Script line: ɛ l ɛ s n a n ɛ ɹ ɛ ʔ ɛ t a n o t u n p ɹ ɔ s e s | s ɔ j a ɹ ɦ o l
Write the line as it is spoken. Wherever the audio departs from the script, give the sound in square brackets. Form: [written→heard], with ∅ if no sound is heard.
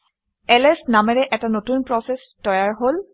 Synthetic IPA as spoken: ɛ l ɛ s n a [n→m] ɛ ɹ ɛ ʔ ɛ t a n o t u n p ɹ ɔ s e s | [s→t] ɔ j a ɹ ɦ o l

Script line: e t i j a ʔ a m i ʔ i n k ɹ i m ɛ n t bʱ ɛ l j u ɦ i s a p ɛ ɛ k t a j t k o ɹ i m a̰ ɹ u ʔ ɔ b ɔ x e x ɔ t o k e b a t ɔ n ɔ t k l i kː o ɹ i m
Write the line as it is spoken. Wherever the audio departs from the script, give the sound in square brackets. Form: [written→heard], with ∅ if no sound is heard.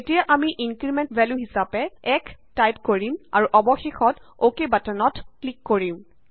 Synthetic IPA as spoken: e t i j a ʔ a m i ʔ i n k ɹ i m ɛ n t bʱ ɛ l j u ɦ i s a p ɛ ɛ k t a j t k o ɹ i m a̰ ɹ u ʔ ɔ b ɔ x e x ɔ t o k e b a t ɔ n ɔ t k l i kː o ɹ i m

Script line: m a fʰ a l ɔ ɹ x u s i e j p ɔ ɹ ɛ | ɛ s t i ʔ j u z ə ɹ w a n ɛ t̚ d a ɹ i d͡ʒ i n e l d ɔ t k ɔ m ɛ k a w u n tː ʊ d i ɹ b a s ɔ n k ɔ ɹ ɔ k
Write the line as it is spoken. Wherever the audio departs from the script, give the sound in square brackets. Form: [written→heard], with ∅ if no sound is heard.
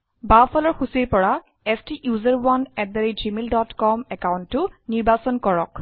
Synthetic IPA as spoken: [m→b] a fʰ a l ɔ ɹ x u s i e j p ɔ ɹ [ɛ→a] | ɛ s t i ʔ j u z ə ɹ w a n ɛ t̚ d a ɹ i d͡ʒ i [n→m] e l d ɔ t k ɔ m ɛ k a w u n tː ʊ [d→n] i ɹ b a s ɔ n k ɔ ɹ ɔ k

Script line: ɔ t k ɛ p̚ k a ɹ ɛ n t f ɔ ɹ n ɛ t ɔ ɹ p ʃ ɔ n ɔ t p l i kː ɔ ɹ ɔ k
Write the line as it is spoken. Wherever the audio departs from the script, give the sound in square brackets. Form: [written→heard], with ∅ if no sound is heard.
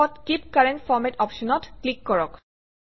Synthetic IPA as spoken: ɔ t k [ɛ→i] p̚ k a ɹ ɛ n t f ɔ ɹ [n→m] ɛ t ɔ [ɹ→∅] p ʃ ɔ n ɔ t [p→k] l i kː ɔ ɹ ɔ k

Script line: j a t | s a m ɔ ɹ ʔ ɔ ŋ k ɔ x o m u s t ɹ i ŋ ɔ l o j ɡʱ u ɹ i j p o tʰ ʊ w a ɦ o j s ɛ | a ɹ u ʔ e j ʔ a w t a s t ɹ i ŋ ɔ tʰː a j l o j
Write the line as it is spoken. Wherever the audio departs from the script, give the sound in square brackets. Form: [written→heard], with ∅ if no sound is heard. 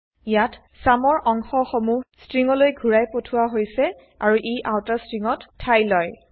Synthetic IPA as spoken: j a t | s a m ɔ ɹ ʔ ɔ ŋ [k→x] ɔ x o m u s t ɹ i ŋ ɔ l o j ɡʱ u ɹ [i→a] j p o tʰ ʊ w a ɦ o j s ɛ | a ɹ u ʔ e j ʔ a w t a s t ɹ i ŋ ɔ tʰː a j l [o→ɔ] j

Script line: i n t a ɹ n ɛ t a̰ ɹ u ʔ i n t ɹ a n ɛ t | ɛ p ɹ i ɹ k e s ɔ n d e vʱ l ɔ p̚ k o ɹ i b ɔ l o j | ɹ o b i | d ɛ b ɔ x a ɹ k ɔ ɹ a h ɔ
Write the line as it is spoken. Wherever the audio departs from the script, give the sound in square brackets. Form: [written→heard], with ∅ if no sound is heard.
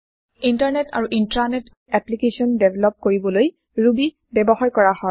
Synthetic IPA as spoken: i n t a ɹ n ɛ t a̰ ɹ u ʔ i n t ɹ a n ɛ t | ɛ p [ɹ→l] i [ɹ→∅] k e s ɔ n d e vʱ l ɔ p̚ k o ɹ i b ɔ l o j | ɹ [o→u] b i | [d→b] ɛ b ɔ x a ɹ k ɔ ɹ a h ɔ

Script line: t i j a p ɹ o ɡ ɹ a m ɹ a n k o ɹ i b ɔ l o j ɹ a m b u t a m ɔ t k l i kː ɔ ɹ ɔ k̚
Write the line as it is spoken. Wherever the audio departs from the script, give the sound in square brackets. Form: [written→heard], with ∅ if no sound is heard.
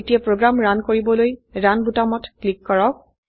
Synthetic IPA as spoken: t i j a p ɹ o ɡ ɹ a m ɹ a n k o ɹ i b ɔ l o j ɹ a [m→n] b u t a m ɔ t k l i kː ɔ ɹ ɔ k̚

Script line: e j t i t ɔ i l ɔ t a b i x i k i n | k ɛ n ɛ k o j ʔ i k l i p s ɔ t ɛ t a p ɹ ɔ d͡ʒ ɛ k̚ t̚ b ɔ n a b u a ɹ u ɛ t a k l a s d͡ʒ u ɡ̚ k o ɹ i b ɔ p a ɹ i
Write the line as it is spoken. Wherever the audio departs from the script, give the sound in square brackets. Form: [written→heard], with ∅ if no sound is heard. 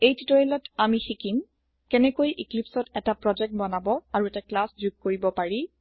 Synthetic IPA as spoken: e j t i t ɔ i l ɔ t a [b→m] i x i k i [n→m] | k ɛ n ɛ k o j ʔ i k l i p s ɔ t ɛ t a p ɹ ɔ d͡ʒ ɛ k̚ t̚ b ɔ n a b [u→ɔ] a ɹ u ɛ t a k l a s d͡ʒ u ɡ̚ k o ɹ i b ɔ p a ɹ i

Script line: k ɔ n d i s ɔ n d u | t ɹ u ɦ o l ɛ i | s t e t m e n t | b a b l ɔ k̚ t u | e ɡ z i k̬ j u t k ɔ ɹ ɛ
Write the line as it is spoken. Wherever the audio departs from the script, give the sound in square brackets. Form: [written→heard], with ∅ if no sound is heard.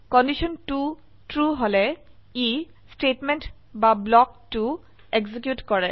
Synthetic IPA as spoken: k ɔ n d i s ɔ n [d→t] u | t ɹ u ɦ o l ɛ i | s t e t m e n t | b a b l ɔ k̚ t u | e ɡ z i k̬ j u t k ɔ ɹ ɛ

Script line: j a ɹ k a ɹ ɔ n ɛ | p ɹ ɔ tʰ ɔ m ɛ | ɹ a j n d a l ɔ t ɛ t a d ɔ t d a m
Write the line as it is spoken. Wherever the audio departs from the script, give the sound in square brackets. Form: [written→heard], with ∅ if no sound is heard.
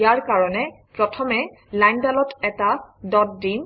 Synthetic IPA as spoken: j a ɹ k a ɹ ɔ n ɛ | p ɹ ɔ tʰ ɔ m ɛ | [ɹ→l] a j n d a l ɔ t ɛ t a d ɔ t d [a→i] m

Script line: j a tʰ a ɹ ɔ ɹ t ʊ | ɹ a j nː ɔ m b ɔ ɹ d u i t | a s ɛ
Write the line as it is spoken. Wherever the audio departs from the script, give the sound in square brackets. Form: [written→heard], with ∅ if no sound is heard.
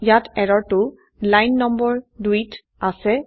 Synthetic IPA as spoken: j a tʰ [a→ɛ] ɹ ɔ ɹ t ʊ | [ɹ→l] a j nː ɔ m b ɔ ɹ d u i t | a s ɛ

